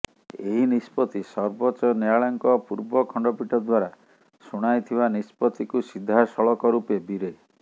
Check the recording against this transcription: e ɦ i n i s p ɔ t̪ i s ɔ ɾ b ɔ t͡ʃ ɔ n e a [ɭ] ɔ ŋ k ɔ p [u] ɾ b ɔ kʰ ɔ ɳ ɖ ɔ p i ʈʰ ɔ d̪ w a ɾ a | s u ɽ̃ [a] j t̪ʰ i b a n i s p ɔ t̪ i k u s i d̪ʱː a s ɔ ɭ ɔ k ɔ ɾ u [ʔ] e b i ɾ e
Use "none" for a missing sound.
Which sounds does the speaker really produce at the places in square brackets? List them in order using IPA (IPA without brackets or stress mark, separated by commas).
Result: ɭ, u, a, p